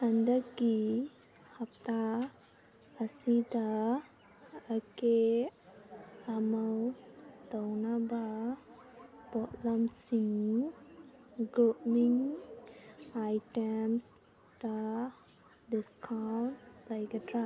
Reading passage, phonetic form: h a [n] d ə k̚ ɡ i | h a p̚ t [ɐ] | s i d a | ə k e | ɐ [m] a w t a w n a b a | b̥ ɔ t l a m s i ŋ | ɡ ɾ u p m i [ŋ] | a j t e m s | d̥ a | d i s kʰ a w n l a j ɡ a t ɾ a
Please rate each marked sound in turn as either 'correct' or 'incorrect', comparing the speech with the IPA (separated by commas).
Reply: correct, incorrect, correct, correct